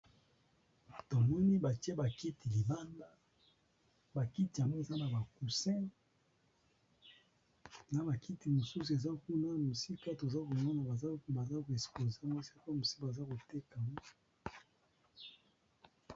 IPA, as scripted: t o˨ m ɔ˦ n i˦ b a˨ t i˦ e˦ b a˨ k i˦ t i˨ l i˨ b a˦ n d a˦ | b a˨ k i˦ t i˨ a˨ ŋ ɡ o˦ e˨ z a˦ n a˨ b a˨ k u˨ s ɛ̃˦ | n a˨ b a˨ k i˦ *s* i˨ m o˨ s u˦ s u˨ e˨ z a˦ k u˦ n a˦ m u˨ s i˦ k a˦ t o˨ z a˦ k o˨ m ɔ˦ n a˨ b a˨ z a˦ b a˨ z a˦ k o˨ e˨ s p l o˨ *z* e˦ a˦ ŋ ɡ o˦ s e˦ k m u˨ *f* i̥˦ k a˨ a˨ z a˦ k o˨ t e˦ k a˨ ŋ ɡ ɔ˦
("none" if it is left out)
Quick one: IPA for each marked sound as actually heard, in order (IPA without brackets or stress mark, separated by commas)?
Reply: t, z, s